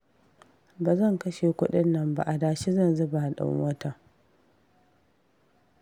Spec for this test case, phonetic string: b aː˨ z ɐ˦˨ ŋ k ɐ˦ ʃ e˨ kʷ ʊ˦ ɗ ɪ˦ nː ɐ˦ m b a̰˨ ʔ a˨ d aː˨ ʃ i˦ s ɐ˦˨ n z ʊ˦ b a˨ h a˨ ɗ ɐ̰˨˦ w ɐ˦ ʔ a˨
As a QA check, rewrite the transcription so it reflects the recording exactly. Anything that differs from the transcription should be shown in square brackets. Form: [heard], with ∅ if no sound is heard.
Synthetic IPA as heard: b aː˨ z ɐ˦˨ ŋ k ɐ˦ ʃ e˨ kʷ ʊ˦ ɗ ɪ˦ nː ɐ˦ m b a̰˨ ʔ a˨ d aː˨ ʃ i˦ [z] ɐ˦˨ n z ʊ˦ b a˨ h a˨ ɗ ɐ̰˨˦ w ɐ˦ [t] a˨